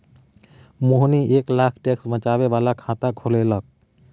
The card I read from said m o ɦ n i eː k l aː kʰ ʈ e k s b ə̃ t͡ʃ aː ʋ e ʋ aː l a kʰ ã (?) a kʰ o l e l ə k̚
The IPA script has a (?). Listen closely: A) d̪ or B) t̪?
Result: B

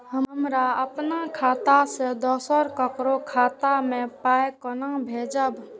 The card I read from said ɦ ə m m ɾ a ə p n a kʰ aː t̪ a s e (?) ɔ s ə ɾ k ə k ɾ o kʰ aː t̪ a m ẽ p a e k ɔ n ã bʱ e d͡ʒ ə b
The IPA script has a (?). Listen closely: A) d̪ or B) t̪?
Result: A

